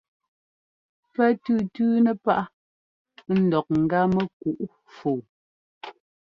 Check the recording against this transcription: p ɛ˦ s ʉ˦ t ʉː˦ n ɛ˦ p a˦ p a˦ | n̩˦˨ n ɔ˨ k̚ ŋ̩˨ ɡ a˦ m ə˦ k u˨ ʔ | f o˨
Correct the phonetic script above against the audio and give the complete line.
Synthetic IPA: p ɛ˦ t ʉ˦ t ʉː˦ n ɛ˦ p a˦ ʔ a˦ | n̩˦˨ d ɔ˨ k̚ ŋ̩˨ ɡ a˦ m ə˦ k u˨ ʔ | f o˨